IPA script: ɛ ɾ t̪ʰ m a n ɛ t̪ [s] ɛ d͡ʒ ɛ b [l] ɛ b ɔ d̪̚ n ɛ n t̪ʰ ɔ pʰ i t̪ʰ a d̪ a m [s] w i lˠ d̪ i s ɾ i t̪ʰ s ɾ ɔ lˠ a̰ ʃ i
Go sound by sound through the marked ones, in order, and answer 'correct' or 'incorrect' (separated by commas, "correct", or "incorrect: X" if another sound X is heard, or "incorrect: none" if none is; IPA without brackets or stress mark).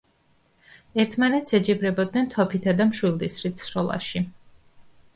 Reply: correct, incorrect: ɾ, incorrect: ʃ